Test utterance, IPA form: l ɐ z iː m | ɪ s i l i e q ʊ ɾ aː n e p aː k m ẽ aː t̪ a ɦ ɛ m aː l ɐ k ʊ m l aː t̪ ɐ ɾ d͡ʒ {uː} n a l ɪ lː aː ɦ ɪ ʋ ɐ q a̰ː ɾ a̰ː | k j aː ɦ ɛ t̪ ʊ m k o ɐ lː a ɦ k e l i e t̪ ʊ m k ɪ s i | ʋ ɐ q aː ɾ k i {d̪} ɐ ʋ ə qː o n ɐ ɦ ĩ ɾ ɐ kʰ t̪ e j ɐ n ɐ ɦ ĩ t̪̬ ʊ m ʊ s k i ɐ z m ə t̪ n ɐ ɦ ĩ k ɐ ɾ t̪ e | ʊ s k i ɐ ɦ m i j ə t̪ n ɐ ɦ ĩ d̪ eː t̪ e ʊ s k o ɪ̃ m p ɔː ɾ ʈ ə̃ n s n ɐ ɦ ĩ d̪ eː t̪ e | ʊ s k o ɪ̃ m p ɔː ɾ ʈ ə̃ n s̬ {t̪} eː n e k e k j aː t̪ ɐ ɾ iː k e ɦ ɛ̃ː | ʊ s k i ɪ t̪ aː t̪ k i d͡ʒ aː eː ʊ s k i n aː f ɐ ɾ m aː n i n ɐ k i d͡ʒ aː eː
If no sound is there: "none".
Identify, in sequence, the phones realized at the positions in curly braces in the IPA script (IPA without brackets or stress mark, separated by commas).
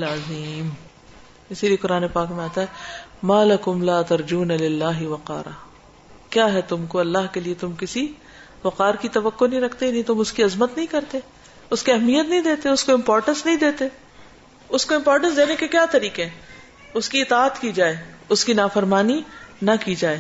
uː, t̪, d̪